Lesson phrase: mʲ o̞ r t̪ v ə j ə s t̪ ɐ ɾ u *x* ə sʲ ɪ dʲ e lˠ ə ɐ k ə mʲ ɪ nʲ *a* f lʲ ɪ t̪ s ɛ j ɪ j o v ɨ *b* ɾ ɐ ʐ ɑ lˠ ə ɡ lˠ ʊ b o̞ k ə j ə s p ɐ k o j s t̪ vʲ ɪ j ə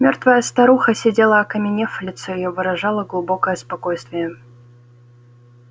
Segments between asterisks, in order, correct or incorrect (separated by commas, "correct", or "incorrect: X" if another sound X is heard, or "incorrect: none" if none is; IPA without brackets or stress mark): correct, incorrect: e, incorrect: none